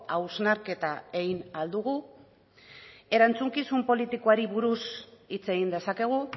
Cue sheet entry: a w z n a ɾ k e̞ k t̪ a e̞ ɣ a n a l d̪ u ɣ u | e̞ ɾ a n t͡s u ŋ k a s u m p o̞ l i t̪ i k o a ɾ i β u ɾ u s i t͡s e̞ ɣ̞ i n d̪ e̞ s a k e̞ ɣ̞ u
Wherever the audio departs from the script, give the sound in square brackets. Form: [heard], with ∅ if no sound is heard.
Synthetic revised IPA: a w z n a ɾ k e̞ [∅] t̪ a e̞ ɣ [i] n a l d̪ u ɣ u | e̞ ɾ a n t͡s u ŋ k [i] s u m p o̞ l i t̪ i k o a ɾ i β u ɾ u s i t͡s e̞ ɣ̞ i n d̪ e̞ s a k e̞ ɣ̞ u